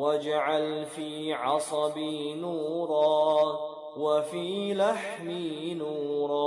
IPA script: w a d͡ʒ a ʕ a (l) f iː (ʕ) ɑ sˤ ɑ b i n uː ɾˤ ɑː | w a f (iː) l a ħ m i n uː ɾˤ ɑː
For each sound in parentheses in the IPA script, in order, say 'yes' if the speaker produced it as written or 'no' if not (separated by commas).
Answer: yes, yes, yes